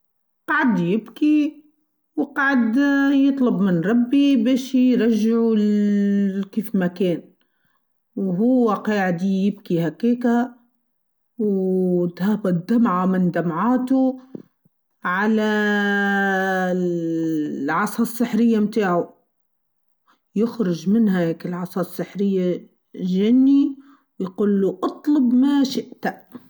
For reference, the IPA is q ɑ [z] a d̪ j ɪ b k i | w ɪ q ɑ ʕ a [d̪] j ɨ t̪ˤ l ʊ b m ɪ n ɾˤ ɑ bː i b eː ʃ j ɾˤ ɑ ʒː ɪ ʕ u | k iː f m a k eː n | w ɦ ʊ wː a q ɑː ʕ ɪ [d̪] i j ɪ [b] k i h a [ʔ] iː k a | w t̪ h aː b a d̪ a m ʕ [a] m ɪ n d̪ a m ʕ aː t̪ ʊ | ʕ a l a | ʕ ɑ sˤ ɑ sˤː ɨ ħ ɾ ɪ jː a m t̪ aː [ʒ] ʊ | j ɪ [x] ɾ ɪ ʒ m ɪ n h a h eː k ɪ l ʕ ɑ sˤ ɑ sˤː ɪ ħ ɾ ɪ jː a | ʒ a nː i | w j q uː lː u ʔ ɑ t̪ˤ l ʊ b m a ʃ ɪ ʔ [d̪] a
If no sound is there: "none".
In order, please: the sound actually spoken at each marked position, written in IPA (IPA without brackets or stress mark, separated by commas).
ʕ, d̪, d̪, b, k, a, ʕ, x, t̪